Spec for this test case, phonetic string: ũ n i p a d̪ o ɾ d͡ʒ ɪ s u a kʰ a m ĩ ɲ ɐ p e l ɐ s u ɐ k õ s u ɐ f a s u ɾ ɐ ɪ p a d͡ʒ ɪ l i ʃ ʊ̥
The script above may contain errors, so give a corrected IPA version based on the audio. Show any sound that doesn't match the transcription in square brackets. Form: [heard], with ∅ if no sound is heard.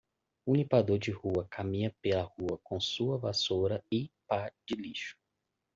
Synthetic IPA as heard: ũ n i p a d̪ o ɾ d͡ʒ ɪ [h] u [ɐ] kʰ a m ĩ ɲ ɐ p e l ɐ [h] u ɐ k õ s u ɐ [v] a s [o] ɾ ɐ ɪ p a d͡ʒ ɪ l i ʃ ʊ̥